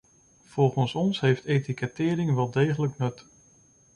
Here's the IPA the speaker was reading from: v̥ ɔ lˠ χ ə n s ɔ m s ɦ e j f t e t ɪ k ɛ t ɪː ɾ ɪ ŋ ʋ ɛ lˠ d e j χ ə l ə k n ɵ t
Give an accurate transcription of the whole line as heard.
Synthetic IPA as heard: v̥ ɔ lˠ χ ə n s ɔ n s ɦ e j f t e t i k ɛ t ɪː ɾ ɪ ŋ ʋ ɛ lˠ d e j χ ə l ə k n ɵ t